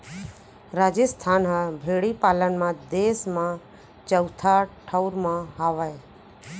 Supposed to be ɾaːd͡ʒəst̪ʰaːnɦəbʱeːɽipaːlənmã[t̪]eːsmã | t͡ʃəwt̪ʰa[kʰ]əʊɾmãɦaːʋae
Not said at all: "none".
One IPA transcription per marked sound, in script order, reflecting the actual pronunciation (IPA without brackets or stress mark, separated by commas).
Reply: d̪, ʈʰ